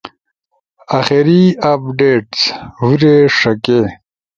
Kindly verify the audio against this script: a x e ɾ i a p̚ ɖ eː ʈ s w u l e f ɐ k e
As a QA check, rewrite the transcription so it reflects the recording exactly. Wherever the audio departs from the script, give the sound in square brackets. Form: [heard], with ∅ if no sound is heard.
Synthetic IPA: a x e ɾ i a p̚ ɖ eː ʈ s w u [ɾ] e [ʂ] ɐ k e